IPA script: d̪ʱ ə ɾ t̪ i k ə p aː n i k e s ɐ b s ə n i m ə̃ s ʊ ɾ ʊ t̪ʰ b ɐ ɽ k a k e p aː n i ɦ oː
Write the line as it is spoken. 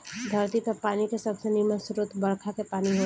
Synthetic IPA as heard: d̪ʱ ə ɾ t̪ i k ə p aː n i k e s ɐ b s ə n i m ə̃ s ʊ ɾ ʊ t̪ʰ b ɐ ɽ kʰ a k e p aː n i ɦ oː